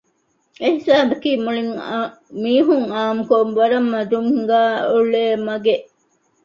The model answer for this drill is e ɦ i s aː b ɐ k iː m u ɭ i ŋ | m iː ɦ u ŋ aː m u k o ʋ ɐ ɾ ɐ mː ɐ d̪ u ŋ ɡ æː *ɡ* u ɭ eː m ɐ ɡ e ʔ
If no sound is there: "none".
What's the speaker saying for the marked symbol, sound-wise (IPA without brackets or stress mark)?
none